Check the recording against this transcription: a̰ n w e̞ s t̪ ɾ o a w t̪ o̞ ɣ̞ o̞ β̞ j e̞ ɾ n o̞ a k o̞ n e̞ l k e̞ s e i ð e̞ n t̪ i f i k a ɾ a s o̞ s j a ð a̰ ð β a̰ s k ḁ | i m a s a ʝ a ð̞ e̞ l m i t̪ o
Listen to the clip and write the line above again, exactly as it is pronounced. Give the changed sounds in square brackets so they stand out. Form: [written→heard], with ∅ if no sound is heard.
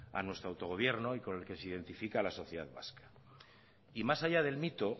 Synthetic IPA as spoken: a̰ n w e̞ s t̪ ɾ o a w t̪ o̞ ɣ̞ o̞ β̞ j e̞ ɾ n o̞ [a→i] k o̞ n e̞ l k e̞ s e i ð e̞ n t̪ i f i k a [ɾ→l] a s o̞ [s→θ] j [a→e] ð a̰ ð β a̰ s k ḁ | i m a s a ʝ a ð̞ e̞ l m i t̪ o